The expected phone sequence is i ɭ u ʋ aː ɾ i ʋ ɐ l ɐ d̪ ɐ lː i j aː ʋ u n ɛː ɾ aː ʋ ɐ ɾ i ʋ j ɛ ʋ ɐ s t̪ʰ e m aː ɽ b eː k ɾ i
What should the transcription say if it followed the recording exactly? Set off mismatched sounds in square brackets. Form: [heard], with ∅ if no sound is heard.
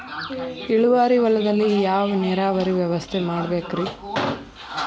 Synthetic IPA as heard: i ɭ u ʋ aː ɾ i ʋ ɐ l ɐ d̪ ɐ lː i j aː ʋ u n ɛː ɾ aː ʋ ɐ ɾ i ʋ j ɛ ʋ ɐ s t̪ʰ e m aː ɽ b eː k ɾ i